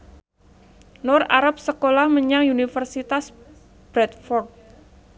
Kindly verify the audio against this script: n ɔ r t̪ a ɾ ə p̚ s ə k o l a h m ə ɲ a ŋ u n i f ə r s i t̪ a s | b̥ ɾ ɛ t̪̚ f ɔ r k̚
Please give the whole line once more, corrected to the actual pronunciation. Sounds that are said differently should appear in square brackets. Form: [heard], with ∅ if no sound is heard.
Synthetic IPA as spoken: n ɔ r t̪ a ɾ [a] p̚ s ə k o l a h m ə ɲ a ŋ u n i f ə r s i t̪ a s | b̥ ɾ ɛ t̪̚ f ɔ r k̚